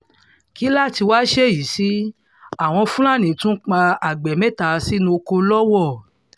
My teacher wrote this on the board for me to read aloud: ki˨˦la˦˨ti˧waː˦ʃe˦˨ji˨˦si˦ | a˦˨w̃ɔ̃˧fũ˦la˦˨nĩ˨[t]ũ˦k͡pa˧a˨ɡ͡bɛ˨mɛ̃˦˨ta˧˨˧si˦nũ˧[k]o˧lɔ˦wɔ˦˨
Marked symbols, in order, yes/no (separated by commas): yes, yes